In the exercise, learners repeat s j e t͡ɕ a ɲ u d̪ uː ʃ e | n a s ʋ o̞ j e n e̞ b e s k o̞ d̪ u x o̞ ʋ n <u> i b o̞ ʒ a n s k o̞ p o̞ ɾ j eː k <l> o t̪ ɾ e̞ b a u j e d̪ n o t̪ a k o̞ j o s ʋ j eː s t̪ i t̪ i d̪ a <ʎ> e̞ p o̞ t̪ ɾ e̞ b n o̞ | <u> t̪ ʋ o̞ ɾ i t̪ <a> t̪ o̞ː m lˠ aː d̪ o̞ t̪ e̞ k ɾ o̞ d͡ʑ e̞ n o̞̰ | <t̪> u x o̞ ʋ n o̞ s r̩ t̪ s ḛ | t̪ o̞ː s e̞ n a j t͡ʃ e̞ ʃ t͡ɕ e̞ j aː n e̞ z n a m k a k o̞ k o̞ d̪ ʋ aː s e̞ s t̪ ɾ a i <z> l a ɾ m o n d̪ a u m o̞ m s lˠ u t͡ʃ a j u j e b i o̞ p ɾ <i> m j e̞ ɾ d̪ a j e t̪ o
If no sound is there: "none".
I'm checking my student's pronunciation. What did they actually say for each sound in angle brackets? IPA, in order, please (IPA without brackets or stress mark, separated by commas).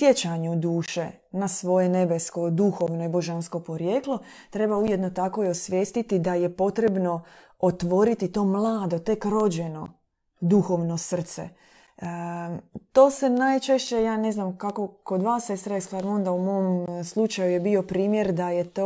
o, l, j, o, i, d̪, s, iː